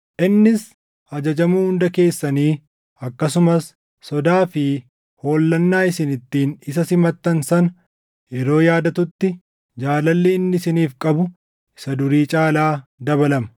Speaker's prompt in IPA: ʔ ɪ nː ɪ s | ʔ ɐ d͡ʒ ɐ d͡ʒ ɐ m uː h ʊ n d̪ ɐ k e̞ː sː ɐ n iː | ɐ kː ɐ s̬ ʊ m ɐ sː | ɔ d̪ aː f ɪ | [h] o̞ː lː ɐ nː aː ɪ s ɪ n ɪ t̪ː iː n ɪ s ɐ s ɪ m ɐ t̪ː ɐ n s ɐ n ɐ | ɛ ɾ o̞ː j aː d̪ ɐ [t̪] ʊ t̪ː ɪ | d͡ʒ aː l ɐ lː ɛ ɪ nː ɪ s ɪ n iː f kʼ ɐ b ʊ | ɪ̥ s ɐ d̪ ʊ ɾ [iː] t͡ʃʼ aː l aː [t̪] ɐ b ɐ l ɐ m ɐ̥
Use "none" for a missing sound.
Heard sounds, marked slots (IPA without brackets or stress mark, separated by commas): h, t̪, iː, d̪